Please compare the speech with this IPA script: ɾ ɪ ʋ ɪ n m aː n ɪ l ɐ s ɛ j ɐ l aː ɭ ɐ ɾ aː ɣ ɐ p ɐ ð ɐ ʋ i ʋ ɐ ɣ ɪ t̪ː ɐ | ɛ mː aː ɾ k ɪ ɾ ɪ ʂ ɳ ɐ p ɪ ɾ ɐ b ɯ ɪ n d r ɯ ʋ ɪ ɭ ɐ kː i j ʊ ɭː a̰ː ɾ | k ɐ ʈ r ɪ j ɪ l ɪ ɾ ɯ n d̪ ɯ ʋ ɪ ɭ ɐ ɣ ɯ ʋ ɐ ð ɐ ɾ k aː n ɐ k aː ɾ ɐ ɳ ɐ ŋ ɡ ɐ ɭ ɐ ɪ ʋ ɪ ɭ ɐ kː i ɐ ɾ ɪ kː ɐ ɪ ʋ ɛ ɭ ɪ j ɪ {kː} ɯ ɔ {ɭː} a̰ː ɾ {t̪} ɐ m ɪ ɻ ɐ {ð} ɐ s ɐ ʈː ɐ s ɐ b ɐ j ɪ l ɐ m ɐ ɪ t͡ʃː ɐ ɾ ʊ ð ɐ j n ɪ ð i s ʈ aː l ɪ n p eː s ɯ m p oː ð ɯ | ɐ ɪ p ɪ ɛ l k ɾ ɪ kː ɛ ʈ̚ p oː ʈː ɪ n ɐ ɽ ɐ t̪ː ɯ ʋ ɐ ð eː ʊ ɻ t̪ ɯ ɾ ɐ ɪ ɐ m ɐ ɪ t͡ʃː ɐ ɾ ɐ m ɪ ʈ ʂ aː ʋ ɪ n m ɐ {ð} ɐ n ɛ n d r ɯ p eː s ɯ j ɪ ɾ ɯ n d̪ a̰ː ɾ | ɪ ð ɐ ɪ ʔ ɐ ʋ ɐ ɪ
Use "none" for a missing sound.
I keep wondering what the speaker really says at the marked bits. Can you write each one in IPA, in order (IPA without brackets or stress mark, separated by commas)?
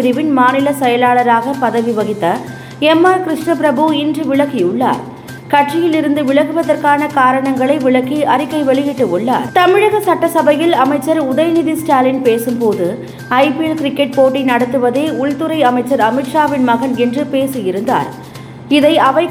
ʈː, ɭː, t̪, ɣ, ɣ